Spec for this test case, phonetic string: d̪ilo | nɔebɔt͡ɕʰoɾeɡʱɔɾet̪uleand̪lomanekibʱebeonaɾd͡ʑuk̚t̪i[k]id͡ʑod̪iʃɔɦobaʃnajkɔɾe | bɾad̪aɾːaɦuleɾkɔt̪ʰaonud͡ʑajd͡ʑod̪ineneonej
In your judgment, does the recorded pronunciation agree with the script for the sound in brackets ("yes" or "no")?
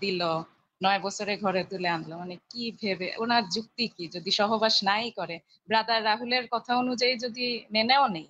yes